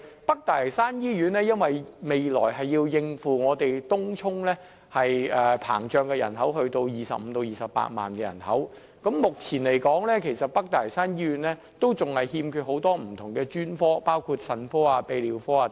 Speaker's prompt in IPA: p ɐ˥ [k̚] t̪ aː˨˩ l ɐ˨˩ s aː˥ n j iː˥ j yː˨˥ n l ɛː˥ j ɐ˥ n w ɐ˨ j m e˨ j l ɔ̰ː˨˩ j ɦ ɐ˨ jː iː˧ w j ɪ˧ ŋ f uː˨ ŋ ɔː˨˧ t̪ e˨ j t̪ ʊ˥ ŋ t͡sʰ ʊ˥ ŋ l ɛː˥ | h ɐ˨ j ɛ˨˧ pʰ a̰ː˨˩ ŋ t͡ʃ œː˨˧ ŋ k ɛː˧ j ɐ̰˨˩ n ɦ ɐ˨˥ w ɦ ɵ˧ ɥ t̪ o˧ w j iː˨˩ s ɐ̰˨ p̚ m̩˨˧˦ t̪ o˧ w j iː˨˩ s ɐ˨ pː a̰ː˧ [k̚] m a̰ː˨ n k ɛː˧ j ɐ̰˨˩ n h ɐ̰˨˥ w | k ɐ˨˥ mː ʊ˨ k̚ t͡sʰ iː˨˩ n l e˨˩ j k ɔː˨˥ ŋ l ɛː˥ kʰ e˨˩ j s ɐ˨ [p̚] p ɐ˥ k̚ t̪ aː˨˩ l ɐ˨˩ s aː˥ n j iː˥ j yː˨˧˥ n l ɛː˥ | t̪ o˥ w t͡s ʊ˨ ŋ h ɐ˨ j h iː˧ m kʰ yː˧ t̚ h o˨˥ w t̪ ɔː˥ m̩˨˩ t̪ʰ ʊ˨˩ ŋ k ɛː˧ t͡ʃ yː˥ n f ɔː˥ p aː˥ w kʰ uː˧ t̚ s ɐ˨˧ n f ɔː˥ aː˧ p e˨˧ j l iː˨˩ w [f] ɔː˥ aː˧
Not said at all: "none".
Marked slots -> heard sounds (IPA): k̚, t̚, t̚, f

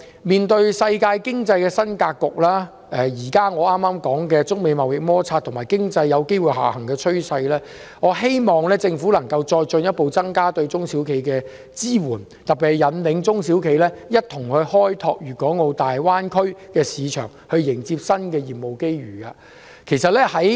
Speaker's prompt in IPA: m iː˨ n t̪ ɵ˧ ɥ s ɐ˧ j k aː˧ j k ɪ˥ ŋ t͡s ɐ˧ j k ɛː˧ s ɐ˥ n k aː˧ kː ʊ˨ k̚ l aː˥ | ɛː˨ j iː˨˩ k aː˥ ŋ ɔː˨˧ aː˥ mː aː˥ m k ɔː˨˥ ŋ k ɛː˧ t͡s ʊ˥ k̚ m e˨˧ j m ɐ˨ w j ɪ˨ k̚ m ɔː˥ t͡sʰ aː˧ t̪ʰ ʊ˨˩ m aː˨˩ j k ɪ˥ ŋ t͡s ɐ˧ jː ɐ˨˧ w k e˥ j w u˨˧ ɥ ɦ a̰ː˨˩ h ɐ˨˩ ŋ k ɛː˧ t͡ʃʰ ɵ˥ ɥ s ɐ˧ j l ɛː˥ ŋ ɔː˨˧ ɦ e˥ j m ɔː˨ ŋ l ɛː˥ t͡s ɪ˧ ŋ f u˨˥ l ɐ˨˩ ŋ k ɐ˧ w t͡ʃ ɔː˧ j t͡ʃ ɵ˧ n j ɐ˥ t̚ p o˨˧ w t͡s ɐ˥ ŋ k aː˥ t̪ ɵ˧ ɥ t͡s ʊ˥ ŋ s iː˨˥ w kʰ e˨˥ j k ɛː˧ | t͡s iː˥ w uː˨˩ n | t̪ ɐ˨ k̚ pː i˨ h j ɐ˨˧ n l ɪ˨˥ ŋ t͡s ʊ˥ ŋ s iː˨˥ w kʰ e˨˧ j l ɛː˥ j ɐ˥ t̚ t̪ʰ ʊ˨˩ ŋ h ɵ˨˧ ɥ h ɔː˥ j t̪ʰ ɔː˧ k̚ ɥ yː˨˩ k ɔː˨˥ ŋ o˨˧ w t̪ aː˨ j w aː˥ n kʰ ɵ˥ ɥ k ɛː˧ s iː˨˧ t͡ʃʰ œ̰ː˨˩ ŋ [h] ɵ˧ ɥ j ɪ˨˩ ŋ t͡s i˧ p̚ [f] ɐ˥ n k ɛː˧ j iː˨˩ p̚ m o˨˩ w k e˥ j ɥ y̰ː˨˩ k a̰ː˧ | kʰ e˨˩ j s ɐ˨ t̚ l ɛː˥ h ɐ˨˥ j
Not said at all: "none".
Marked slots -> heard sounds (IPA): h, s

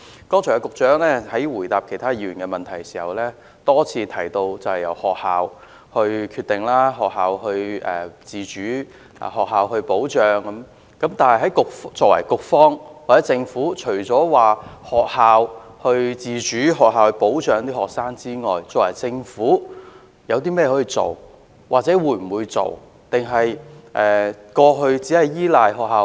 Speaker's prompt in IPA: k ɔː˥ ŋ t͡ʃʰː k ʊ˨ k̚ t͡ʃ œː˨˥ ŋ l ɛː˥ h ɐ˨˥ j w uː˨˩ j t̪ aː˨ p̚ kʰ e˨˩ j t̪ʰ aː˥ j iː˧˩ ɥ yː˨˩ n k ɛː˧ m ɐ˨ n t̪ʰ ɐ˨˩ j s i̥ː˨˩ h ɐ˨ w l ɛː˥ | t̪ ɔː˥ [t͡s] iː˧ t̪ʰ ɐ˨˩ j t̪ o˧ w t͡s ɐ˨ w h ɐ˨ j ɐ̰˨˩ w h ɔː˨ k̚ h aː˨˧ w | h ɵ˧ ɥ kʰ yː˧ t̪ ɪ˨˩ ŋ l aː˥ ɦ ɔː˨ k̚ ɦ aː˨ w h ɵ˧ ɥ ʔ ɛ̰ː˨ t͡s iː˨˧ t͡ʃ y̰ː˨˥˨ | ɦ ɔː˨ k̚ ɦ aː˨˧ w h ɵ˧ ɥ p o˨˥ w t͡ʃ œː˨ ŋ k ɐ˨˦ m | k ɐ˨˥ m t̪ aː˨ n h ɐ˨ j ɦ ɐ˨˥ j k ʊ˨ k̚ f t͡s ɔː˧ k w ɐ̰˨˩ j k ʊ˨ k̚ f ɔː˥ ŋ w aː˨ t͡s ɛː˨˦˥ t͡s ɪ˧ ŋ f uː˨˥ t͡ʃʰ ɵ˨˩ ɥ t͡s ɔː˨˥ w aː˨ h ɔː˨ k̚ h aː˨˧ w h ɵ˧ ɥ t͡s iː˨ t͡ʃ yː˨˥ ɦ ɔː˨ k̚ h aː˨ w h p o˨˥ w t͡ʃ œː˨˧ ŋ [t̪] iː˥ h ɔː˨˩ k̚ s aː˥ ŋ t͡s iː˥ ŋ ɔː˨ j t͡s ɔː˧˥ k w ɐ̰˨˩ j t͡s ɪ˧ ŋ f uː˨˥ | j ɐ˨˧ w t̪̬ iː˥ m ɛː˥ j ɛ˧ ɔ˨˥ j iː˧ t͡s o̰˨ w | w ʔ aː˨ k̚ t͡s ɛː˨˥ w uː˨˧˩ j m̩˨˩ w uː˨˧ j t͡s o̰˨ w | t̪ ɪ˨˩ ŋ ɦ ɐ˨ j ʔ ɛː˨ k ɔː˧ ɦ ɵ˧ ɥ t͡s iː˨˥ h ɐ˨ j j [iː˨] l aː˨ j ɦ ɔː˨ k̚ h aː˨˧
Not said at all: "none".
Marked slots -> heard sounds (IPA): t͡sʰ, t̪, iː˥

